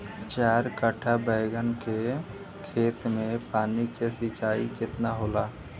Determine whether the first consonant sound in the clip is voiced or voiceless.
voiceless